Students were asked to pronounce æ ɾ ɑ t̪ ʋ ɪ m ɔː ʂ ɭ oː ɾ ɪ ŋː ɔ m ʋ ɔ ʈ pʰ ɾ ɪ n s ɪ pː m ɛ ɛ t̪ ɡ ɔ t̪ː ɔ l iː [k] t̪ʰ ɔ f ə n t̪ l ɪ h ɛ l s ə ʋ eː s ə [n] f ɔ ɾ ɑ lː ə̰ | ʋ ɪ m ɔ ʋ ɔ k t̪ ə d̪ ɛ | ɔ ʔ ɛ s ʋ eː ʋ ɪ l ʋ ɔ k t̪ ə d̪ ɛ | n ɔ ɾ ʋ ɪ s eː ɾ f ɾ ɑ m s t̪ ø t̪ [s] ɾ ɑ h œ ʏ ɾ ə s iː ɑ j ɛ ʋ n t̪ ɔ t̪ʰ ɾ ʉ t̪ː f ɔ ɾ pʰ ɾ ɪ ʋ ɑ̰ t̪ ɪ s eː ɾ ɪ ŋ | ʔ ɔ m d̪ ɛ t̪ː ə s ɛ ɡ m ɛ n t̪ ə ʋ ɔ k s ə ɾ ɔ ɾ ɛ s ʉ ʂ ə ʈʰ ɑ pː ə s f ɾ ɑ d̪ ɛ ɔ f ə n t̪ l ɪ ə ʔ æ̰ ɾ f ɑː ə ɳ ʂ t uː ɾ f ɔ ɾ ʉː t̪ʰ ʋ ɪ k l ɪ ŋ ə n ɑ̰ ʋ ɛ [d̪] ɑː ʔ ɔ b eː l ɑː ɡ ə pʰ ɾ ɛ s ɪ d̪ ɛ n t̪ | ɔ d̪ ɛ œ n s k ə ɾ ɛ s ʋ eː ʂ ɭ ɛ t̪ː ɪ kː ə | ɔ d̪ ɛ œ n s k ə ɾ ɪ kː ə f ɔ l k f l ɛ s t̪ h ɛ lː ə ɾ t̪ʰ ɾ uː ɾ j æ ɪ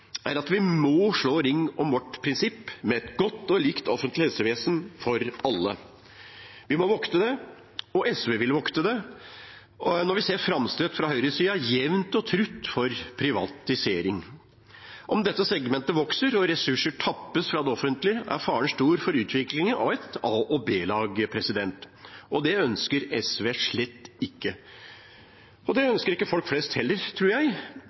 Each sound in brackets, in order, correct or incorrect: correct, correct, incorrect: f, incorrect: t̪

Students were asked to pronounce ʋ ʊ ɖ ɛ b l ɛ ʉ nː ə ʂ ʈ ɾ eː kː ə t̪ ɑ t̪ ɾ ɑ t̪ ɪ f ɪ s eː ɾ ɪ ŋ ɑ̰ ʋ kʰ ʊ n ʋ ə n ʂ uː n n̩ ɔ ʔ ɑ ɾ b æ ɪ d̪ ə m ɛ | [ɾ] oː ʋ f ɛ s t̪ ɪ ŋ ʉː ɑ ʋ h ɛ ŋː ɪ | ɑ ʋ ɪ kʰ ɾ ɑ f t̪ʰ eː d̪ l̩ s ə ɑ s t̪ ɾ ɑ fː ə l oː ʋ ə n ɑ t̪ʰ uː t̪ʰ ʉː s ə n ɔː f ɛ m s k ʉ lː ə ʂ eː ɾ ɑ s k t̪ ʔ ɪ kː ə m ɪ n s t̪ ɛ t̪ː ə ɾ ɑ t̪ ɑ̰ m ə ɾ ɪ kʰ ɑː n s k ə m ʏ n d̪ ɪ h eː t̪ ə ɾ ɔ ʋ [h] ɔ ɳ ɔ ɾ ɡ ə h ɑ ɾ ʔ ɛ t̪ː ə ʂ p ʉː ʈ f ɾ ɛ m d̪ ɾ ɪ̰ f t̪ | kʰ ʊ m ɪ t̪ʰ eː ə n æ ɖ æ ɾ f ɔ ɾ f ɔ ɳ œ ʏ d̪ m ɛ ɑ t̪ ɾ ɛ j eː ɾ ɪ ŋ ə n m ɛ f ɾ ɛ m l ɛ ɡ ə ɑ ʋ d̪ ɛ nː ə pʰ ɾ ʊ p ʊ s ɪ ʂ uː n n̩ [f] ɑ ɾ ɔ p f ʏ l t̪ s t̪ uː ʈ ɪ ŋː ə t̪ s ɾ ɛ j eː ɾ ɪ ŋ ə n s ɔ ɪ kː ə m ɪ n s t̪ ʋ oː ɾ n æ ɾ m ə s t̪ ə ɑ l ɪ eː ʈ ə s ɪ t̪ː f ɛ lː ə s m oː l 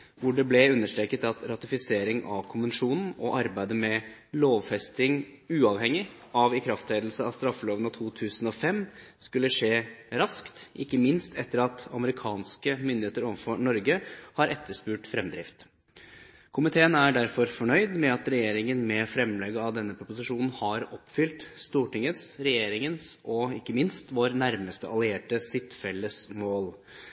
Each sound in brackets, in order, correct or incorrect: incorrect: l, incorrect: f, incorrect: h

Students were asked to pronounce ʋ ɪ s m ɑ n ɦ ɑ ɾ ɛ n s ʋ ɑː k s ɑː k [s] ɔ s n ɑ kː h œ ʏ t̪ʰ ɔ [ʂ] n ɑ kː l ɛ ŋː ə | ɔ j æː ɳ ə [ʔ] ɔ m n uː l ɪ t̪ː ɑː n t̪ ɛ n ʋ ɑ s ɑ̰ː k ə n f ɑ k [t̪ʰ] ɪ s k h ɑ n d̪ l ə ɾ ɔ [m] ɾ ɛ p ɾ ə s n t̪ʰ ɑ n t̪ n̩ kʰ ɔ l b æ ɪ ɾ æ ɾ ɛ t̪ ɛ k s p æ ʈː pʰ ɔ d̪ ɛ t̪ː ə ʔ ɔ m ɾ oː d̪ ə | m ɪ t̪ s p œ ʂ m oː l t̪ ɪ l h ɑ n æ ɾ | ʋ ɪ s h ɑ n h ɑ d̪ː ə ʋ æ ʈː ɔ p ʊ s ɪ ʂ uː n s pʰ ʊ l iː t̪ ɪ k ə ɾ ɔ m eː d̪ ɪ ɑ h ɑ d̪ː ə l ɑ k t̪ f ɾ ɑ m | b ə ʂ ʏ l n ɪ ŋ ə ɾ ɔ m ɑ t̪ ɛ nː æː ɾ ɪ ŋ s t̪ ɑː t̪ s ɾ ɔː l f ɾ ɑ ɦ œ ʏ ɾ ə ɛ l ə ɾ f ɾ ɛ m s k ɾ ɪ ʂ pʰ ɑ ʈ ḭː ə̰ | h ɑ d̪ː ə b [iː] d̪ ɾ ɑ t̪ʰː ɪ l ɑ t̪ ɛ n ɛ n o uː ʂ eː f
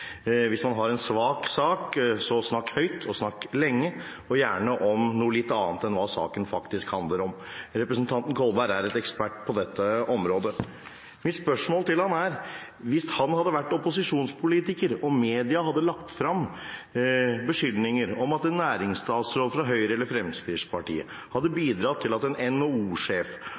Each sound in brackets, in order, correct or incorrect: correct, incorrect: s, correct, incorrect: t̪, correct, correct

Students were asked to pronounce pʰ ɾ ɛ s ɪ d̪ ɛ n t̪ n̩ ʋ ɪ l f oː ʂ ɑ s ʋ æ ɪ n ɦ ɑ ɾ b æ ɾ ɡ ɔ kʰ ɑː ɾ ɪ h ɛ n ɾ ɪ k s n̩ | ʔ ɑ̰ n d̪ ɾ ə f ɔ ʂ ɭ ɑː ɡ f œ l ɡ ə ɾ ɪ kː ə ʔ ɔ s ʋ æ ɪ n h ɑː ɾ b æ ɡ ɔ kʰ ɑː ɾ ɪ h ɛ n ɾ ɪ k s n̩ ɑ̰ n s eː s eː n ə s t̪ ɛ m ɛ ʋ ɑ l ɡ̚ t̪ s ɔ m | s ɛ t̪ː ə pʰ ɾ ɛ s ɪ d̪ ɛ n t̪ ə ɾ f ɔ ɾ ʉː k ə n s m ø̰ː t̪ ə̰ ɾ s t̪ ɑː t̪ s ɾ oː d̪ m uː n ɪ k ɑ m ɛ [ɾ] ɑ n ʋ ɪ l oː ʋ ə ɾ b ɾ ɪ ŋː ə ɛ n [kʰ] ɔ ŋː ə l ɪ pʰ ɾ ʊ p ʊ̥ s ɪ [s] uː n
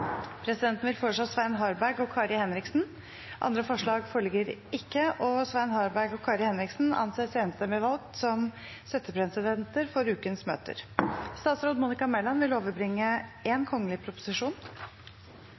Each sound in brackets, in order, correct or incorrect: incorrect: l, correct, incorrect: ʂ

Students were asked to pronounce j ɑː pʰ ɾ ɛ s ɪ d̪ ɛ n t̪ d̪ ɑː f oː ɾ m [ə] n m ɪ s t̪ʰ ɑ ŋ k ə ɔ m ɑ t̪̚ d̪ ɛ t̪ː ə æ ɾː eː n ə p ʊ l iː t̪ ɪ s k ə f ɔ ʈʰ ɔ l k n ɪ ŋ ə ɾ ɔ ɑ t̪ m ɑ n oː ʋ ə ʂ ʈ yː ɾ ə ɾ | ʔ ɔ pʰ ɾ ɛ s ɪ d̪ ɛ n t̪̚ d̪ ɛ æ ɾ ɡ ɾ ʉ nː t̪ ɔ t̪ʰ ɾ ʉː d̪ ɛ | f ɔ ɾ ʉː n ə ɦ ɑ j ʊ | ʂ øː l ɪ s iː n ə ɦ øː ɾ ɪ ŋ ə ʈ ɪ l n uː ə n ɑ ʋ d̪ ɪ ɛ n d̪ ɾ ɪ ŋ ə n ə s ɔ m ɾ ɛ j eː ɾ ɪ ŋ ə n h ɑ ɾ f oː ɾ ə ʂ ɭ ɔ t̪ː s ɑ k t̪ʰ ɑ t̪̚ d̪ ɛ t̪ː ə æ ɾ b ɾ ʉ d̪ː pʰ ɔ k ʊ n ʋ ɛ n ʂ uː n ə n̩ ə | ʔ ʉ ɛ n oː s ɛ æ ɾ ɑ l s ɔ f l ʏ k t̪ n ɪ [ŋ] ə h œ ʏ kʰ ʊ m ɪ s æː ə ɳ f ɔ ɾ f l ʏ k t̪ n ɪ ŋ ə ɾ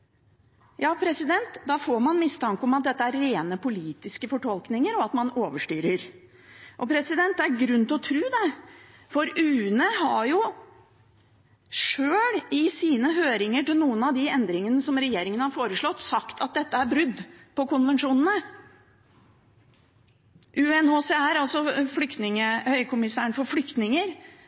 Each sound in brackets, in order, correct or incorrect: incorrect: ɑ, correct

